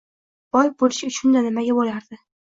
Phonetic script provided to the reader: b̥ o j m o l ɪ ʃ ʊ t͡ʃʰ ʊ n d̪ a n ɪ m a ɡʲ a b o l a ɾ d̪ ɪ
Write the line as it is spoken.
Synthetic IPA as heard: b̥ ɒ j b o l ɪ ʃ ʊ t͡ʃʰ ʊ n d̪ a n ɪ m a ɡʲ a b o l a ɾ d̪ ɪ